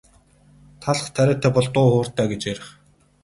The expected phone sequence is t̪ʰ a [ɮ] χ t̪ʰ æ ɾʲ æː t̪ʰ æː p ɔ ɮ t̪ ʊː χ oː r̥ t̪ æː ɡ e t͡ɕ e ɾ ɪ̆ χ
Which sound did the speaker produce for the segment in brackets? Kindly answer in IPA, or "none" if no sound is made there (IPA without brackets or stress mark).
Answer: ɮ